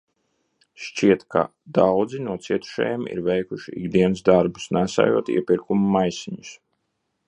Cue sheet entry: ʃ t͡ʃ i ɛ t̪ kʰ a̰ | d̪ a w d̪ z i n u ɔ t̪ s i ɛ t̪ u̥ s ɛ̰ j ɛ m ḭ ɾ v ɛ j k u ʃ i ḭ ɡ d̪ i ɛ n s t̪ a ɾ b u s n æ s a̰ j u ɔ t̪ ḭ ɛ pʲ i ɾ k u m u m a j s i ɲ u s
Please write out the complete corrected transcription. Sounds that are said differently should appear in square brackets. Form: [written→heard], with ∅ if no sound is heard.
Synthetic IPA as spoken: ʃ t͡ʃ i ɛ t̪ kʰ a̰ | d̪ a w d̪ z i n u ɔ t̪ s i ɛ t̪ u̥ [s→ʃ] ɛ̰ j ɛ m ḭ ɾ v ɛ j k u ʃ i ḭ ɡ d̪ i ɛ n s [t̪→d̪] a ɾ b u s n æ s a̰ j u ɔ t̪ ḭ ɛ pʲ i ɾ k u m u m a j s i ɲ u s